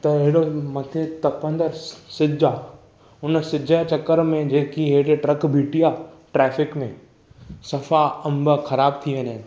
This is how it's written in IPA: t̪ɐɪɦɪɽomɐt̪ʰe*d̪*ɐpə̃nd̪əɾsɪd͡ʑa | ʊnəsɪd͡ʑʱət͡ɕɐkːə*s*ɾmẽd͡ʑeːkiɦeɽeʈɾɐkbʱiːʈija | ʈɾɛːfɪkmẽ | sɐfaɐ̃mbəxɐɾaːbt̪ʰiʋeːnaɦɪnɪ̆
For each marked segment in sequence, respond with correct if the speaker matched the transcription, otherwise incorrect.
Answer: incorrect: t̪, incorrect: none

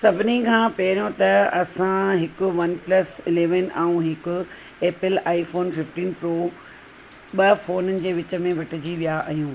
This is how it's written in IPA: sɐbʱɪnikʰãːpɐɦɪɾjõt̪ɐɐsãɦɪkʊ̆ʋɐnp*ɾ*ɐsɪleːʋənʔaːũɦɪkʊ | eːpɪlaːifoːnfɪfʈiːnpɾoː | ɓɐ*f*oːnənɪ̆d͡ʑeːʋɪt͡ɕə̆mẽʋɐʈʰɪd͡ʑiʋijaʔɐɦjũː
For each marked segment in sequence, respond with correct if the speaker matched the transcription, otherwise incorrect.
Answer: incorrect: l, correct

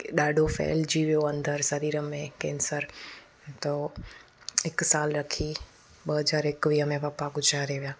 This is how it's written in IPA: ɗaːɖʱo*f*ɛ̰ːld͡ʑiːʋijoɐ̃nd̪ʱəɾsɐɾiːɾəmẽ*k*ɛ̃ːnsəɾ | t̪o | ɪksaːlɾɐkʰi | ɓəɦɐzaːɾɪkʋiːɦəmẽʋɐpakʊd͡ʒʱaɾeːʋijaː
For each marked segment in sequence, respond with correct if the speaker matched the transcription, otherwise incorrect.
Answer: correct, correct

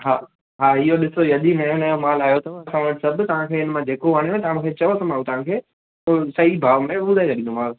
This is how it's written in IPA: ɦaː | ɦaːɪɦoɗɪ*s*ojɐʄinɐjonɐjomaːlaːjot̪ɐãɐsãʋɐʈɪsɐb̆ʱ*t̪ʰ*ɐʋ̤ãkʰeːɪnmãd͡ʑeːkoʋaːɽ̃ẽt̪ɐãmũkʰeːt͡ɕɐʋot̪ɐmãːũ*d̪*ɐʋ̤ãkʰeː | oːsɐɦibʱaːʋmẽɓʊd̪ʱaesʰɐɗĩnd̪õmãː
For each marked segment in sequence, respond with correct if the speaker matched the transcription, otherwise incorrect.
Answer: correct, incorrect: t̪, incorrect: t̪

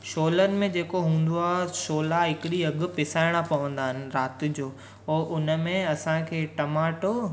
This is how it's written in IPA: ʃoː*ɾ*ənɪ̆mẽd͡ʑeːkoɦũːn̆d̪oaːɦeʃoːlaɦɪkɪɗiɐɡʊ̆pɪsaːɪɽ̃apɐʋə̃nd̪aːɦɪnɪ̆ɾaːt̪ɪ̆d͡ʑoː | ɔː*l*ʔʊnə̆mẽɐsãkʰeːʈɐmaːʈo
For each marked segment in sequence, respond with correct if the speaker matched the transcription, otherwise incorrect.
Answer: incorrect: l, incorrect: none

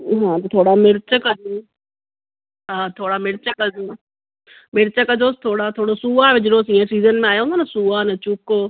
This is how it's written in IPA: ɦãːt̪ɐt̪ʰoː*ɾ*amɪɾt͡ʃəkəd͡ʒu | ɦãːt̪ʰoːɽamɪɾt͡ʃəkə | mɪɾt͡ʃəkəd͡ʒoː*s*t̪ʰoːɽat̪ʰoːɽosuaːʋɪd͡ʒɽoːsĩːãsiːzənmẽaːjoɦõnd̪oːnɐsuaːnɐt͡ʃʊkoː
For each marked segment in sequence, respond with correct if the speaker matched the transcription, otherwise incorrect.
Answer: incorrect: ɽ, correct

